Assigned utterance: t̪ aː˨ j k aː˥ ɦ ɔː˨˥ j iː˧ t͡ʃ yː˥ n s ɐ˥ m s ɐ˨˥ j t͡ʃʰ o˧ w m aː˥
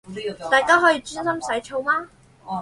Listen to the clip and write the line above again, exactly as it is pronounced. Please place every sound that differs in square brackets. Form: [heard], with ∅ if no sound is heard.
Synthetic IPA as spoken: t̪ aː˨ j k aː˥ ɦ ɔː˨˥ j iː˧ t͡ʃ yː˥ n s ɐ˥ m s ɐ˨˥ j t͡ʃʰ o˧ w m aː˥